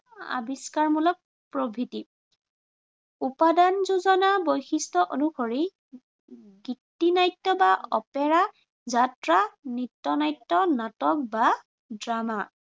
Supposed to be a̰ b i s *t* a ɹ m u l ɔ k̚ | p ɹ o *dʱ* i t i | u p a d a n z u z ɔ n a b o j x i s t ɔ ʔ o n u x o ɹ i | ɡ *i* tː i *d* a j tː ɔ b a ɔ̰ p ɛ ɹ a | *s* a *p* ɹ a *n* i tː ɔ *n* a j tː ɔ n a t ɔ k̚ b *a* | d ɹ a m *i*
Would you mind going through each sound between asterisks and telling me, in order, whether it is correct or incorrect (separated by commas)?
incorrect, incorrect, correct, incorrect, incorrect, incorrect, correct, correct, correct, incorrect